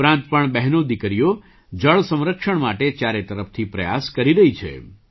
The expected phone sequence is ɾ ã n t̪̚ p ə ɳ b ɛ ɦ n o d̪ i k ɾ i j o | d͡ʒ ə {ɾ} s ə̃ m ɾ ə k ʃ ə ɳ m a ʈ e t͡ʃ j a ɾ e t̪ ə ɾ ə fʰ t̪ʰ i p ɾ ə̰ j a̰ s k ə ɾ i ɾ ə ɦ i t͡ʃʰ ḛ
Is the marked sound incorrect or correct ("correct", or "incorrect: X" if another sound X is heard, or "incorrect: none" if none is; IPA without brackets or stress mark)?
incorrect: ɭ